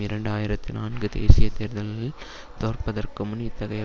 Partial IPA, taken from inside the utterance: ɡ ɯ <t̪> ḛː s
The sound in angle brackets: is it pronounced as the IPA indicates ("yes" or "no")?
no